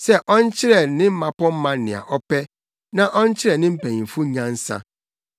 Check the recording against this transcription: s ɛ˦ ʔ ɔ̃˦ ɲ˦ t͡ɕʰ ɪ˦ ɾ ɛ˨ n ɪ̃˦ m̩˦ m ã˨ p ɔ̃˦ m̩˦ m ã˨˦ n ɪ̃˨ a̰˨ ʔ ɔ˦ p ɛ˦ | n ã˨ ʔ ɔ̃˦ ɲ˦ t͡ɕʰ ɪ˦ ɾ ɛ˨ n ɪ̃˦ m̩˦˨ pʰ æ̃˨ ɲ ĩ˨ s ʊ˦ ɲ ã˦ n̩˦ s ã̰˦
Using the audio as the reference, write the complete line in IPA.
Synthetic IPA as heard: s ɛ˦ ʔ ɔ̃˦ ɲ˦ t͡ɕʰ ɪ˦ ɾ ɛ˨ n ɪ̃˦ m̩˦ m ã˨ p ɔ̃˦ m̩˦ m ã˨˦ n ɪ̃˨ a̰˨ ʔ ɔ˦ p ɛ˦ | n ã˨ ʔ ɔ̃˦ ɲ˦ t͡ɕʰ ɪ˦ ɾ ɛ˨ n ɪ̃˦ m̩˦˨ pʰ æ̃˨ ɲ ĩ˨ f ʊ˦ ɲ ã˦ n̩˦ s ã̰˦